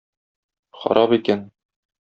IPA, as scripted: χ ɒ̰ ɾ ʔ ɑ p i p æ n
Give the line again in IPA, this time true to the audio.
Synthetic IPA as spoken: χ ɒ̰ ɾ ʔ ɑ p i k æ n